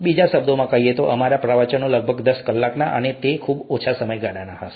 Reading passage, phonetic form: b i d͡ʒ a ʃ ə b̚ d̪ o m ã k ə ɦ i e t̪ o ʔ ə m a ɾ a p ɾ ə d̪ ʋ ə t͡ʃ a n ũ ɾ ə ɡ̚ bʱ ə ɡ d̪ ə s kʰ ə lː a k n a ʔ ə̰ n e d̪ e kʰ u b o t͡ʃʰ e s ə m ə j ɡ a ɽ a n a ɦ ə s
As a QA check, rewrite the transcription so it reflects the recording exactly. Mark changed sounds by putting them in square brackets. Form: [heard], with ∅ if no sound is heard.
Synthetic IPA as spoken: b i d͡ʒ a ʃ ə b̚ d̪ o m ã k ə ɦ i e t̪ o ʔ ə m a ɾ a p ɾ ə [∅] ʋ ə t͡ʃ [ə] n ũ [l] ə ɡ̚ bʱ ə ɡ d̪ ə s [k] ə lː a k n a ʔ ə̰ n e [t̪] e kʰ u b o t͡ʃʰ [a] s ə m ə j ɡ a ɽ a n a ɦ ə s